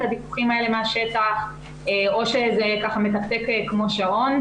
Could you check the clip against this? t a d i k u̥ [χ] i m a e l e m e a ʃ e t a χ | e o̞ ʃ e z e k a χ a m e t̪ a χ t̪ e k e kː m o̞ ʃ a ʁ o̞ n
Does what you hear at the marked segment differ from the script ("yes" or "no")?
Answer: no